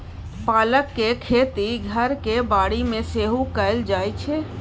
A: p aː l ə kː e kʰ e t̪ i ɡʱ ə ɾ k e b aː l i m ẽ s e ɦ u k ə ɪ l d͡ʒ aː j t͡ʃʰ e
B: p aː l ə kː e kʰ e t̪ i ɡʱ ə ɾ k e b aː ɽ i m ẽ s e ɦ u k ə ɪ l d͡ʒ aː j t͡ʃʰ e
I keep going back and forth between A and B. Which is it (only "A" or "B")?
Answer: B